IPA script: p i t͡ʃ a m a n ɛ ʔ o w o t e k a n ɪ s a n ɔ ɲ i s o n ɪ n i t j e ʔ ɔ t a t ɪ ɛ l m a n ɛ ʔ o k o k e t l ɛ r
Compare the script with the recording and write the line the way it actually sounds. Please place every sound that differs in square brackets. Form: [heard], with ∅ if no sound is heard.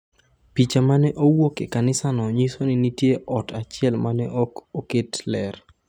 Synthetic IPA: p i t͡ʃ a m a n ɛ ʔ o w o [k] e k a n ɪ s a n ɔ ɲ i s o n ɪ n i t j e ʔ ɔ t a [t͡ʃ] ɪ ɛ l m a n ɛ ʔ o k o k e t l ɛ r